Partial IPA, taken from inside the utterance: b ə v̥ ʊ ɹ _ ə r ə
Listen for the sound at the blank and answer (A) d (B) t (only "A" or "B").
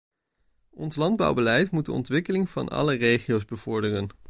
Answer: A